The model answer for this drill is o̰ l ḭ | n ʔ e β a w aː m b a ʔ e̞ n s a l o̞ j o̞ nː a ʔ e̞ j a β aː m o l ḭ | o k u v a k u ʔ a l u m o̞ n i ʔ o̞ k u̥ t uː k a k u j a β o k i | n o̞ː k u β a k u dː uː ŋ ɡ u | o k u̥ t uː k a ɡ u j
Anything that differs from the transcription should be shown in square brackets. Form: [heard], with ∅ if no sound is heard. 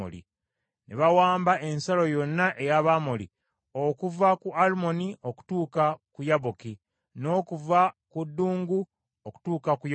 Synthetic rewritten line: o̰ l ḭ | n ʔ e β a w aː m b a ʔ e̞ n s a l o̞ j o̞ nː a ʔ e̞ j a β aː m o l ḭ | o k u v a k u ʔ a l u m o̞ n i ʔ o̞ k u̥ t uː k a k u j a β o k i | n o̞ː k u [v] a k u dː uː ŋ ɡ u | o k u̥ t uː k a [k] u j